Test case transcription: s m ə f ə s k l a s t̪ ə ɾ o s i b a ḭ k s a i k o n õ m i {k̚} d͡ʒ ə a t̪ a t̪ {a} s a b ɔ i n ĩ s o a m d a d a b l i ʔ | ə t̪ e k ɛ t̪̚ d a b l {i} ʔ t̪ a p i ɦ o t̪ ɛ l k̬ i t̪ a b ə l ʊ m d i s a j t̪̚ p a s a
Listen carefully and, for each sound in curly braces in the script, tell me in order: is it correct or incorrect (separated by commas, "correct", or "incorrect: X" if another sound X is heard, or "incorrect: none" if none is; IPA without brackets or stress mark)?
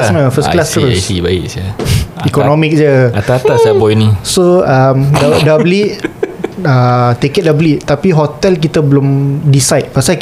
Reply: correct, correct, correct